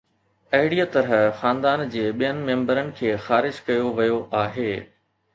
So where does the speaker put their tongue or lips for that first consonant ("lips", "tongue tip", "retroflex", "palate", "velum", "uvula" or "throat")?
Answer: throat